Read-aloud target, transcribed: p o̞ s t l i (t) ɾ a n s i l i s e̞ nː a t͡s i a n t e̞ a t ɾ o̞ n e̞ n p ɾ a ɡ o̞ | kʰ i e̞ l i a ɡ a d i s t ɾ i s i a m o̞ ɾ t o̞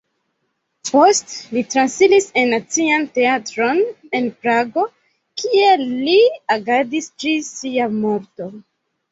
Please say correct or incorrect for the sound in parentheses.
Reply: correct